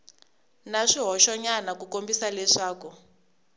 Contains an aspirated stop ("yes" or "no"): no